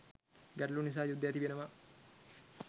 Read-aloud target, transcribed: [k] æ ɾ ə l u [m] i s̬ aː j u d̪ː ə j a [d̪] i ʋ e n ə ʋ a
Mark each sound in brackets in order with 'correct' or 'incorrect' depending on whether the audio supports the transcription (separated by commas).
incorrect, incorrect, incorrect